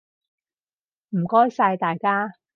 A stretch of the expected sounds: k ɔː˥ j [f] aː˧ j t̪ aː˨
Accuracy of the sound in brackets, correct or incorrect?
incorrect